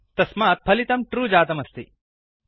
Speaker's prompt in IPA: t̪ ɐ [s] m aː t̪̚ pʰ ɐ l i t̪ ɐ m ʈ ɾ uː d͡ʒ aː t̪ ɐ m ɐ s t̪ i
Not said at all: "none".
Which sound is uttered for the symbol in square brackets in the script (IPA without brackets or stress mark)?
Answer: s